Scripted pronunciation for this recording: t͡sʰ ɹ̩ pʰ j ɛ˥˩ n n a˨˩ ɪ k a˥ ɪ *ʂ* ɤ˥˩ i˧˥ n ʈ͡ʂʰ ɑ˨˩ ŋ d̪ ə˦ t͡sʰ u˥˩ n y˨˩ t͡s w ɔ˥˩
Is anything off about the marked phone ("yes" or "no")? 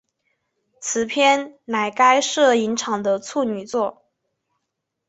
no